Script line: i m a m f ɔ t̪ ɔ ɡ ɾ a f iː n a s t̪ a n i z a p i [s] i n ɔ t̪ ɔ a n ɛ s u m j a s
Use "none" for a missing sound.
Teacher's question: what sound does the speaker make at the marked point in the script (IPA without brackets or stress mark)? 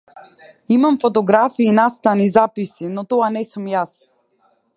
s